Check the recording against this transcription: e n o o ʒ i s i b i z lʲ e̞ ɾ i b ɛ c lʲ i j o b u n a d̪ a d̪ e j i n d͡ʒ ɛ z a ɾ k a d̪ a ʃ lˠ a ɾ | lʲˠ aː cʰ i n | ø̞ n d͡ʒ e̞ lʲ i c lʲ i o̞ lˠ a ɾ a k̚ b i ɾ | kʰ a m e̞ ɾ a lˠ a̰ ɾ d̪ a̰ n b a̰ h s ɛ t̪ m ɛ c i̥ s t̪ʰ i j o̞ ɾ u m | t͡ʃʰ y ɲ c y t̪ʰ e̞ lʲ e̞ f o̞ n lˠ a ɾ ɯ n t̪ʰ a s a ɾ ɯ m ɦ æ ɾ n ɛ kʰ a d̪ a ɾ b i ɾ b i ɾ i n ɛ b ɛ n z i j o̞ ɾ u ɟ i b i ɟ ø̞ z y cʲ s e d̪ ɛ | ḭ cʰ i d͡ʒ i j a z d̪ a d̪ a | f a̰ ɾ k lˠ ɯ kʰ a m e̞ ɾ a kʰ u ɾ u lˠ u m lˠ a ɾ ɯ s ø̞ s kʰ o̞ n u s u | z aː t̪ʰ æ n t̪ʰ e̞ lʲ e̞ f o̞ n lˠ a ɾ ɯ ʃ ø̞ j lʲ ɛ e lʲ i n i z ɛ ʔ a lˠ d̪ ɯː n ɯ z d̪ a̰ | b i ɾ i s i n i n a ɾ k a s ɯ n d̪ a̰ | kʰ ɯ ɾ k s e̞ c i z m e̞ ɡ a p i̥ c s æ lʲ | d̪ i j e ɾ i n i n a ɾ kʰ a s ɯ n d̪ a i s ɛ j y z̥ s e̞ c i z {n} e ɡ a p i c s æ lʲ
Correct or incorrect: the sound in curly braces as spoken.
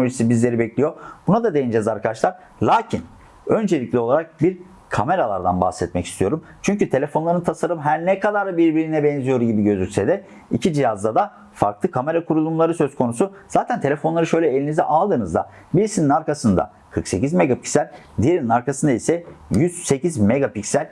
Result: incorrect: m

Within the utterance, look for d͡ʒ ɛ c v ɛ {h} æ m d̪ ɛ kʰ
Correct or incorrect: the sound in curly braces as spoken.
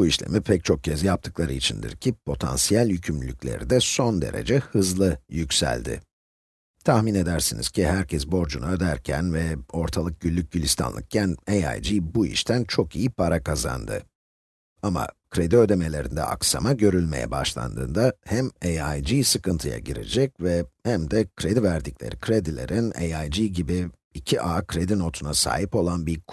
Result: correct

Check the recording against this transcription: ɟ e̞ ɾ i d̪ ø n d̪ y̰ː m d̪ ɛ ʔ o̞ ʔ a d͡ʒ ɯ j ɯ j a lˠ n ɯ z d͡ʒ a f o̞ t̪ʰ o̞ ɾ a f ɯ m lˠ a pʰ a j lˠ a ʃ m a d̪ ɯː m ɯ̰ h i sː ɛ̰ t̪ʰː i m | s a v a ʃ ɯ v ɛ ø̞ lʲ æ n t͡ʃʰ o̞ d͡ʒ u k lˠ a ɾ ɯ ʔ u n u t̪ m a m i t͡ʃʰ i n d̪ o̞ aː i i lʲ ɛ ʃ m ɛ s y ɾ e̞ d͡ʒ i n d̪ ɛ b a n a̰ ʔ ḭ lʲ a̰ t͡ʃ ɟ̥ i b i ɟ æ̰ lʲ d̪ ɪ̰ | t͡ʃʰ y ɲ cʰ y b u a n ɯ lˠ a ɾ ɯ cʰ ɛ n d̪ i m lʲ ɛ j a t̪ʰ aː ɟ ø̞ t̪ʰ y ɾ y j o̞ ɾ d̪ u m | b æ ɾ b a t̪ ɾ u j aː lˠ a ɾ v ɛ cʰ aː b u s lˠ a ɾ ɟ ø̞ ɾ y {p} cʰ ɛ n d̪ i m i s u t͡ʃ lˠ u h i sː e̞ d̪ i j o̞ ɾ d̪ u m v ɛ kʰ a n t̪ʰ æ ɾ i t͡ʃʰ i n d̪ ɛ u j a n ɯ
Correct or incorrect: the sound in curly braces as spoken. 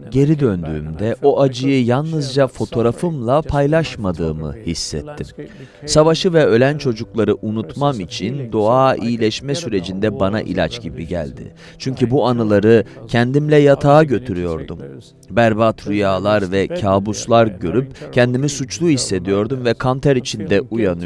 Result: correct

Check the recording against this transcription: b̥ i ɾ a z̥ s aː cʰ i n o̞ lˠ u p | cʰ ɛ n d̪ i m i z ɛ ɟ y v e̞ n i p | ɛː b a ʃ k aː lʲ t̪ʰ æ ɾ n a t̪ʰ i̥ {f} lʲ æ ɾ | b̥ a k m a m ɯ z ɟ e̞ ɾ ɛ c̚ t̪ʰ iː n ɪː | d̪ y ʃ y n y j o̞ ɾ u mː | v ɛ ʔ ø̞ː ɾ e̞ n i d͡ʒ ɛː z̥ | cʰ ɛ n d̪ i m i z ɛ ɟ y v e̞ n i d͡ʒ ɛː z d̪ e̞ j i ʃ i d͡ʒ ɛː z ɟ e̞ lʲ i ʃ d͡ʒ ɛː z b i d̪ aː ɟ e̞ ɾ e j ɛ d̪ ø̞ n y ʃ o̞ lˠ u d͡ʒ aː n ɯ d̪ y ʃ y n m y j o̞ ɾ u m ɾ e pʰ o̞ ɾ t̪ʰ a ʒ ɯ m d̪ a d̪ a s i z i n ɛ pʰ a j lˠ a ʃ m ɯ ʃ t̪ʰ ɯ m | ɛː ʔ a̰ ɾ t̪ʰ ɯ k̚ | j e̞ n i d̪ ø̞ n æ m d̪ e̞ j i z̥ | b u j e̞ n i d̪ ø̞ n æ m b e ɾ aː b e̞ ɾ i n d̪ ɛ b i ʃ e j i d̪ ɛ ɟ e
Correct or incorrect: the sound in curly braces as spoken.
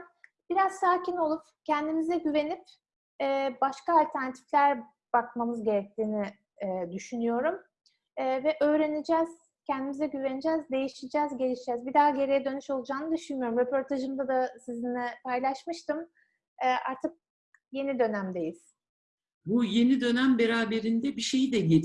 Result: correct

